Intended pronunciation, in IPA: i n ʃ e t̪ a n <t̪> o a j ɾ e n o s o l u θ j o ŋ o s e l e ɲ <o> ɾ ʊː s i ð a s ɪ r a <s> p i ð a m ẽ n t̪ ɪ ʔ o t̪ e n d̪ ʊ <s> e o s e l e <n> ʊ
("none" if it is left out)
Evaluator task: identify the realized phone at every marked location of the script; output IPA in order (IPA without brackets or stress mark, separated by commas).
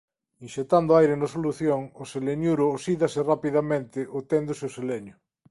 d̪, u, none, s, ɲ